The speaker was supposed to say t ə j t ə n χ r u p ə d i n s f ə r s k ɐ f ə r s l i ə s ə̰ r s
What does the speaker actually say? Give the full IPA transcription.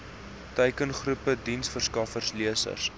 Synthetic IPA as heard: t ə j k ə n χ r u p ə d i n s f ə r s k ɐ f ə r s l i ə s ə̰ r s